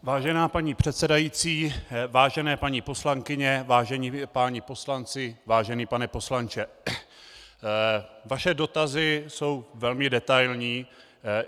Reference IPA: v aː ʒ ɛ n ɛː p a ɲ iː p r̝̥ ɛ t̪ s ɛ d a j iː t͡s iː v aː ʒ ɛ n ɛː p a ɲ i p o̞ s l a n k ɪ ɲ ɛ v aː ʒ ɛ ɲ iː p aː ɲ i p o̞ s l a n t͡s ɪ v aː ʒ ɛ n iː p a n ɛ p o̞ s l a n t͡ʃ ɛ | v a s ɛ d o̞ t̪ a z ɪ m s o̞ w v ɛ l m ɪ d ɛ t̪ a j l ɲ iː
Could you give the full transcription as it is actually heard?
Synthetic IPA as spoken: v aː ʒ ɛ n aː p a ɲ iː p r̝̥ ɛ t̪ s ɛ d a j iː t͡s iː v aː ʒ ɛ n ɛː p a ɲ i p o̞ s l a ŋ k ɪ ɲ ɛ v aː ʒ ɛ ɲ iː p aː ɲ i p o̞ s l a n t͡s ɪ v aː ʒ ɛ n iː p a n ɛ p o̞ s l a n t͡ʃ ɛ | v a ʃ ɛ d o̞ t̪ a z ɪ s o̞ w v ɛ l m ɪ d ɛ t̪ a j l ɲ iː